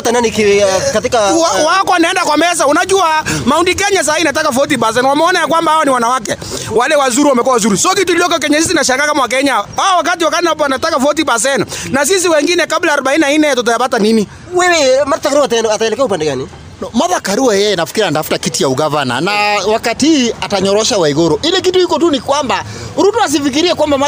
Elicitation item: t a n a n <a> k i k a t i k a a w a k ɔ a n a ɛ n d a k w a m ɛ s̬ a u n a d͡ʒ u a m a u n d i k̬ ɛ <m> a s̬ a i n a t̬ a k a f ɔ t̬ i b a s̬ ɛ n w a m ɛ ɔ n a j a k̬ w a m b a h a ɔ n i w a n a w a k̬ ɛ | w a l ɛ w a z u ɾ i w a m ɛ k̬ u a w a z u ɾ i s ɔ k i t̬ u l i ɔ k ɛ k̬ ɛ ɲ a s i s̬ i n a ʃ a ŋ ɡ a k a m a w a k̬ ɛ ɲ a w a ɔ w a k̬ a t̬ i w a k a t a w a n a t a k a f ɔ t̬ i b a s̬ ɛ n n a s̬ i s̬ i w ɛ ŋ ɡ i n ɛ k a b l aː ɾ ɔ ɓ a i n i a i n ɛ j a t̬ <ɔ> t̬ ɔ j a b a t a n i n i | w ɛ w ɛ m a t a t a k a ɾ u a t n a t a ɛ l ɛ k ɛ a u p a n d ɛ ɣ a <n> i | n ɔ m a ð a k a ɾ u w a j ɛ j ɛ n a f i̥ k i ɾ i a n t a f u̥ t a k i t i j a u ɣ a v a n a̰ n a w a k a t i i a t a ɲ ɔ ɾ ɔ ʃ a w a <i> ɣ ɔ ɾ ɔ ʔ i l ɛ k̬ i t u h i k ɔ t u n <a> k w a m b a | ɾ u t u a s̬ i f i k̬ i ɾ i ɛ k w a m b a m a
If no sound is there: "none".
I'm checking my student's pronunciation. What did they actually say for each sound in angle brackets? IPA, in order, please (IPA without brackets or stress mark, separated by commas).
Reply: i, ɲ, ɔ, n, i, i